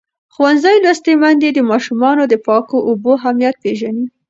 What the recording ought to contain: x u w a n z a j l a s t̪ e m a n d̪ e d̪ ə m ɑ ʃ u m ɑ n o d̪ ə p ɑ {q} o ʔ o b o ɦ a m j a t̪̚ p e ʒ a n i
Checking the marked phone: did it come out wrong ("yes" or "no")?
yes